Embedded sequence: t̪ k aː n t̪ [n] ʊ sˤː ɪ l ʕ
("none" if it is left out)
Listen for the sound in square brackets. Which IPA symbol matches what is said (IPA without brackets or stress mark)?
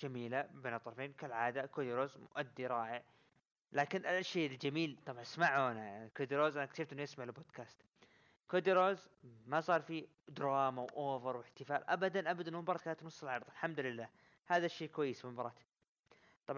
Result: n